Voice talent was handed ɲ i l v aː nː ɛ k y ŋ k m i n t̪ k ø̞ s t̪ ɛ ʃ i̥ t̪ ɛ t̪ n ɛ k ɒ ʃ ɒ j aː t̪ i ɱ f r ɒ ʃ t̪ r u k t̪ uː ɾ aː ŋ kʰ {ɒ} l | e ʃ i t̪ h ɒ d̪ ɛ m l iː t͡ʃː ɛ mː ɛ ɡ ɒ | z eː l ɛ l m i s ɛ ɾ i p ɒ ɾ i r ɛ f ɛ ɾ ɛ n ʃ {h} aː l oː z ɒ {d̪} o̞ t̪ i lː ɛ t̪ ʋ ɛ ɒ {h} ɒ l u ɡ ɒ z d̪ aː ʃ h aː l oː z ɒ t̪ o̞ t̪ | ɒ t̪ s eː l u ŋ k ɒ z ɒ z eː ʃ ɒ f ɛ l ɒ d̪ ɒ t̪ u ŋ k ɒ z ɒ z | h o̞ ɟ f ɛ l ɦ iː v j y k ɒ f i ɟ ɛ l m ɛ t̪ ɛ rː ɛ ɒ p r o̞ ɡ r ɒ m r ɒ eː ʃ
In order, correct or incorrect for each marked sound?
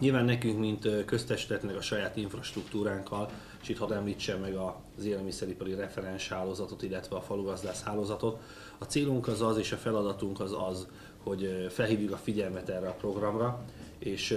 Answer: correct, correct, incorrect, incorrect

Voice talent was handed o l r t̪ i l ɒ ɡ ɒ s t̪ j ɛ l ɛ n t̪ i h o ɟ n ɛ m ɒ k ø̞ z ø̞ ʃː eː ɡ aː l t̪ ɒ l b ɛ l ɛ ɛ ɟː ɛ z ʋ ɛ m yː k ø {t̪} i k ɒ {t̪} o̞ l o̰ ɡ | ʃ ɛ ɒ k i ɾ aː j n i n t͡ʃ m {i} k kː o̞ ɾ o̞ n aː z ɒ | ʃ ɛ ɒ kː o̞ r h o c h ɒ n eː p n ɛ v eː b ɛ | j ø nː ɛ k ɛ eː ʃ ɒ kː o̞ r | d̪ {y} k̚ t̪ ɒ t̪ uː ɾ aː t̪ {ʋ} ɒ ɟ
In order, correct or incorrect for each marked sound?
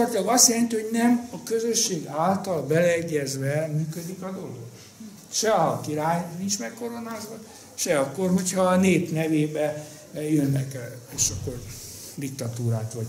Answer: incorrect, incorrect, incorrect, incorrect, correct

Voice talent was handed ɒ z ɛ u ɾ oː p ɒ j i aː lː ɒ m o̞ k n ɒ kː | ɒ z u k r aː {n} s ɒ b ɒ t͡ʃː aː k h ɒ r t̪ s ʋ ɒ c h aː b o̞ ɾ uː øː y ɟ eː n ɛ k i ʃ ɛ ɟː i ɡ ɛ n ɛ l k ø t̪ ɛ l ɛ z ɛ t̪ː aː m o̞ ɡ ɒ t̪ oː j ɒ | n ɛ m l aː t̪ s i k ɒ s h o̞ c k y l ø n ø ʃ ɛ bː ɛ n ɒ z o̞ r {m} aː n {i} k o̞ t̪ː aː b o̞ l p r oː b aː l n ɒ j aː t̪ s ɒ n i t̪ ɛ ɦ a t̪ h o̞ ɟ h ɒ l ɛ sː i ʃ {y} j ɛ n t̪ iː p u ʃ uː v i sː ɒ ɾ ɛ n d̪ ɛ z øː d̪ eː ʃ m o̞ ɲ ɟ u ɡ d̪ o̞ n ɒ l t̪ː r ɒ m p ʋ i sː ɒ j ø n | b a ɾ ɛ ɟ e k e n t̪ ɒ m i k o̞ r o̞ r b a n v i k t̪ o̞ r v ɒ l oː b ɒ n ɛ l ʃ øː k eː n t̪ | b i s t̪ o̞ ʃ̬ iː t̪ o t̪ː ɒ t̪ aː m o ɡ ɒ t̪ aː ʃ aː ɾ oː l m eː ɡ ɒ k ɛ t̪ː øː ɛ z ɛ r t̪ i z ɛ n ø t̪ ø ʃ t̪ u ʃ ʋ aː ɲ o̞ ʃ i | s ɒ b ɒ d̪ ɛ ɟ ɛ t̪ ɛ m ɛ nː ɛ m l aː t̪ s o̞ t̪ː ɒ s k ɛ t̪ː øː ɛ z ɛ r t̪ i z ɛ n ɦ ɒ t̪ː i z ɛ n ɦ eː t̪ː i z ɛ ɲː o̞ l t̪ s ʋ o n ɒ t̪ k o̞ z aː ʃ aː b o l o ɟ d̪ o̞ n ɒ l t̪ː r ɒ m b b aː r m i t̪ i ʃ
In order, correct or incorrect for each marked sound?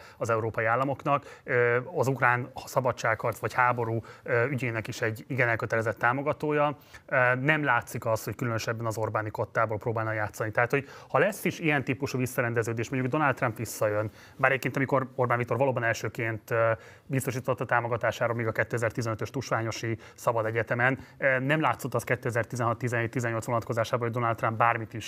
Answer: correct, incorrect, correct, incorrect

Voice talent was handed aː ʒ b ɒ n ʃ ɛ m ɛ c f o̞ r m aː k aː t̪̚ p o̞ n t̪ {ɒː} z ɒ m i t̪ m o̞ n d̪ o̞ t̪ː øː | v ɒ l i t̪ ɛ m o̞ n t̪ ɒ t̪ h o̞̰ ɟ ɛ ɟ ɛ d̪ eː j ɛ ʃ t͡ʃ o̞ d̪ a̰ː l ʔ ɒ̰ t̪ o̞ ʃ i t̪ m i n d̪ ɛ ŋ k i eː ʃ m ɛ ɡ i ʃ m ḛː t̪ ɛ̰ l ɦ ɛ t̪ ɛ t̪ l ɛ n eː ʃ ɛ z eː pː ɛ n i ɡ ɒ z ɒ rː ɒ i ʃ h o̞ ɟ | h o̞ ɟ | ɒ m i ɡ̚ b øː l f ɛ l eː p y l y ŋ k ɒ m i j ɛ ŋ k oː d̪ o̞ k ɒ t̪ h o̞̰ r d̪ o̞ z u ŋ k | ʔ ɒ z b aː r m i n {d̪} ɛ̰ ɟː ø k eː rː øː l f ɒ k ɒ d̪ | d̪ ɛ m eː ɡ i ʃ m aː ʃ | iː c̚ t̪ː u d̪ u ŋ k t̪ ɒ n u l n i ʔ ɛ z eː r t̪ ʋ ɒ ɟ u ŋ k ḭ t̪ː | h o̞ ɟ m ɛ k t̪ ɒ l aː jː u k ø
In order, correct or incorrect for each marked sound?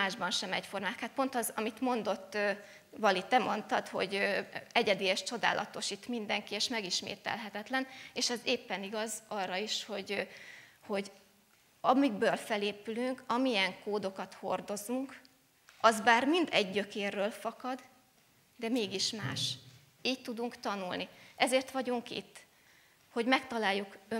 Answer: incorrect, correct

